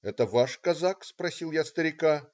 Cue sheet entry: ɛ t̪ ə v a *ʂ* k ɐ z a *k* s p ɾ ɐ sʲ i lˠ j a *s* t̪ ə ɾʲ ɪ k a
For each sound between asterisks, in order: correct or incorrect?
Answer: correct, correct, correct

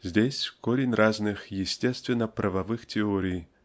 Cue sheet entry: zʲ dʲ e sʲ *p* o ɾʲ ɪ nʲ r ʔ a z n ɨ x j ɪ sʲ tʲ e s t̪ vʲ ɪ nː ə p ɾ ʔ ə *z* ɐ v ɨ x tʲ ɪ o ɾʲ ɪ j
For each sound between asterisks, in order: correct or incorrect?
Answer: incorrect: k, incorrect: v

